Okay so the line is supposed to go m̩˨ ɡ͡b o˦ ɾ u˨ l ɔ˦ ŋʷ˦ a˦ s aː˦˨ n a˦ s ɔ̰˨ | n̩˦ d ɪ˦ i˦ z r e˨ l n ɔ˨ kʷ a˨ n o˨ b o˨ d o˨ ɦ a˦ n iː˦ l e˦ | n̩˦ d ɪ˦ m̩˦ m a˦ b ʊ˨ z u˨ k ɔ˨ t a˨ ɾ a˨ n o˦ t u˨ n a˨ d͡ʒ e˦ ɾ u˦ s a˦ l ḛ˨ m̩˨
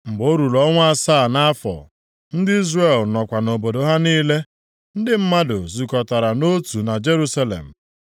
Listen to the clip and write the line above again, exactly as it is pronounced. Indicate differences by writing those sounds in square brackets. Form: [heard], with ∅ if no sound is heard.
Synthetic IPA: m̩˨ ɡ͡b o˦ ɾ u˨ l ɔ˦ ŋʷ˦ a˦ s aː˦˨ n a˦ [f] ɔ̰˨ | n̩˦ d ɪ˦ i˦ z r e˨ l n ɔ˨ kʷ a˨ n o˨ b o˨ d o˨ ɦ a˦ n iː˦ l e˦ | n̩˦ d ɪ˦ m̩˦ m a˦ [d] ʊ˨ z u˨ k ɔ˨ t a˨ ɾ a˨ n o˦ t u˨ n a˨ d͡ʒ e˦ ɾ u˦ s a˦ l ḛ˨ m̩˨